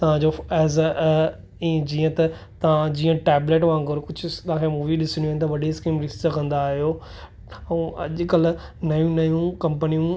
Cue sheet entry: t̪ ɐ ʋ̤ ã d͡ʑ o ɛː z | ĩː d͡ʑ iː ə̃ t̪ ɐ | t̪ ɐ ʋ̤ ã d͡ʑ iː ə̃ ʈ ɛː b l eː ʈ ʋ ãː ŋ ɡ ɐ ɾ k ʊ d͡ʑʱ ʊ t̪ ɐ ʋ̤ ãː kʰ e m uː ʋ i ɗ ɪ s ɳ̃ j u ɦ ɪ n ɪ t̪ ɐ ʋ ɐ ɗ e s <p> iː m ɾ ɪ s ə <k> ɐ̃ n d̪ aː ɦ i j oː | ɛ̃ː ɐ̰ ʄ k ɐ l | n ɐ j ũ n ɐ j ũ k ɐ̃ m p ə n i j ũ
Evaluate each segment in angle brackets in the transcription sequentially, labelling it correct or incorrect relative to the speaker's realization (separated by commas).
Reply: incorrect, correct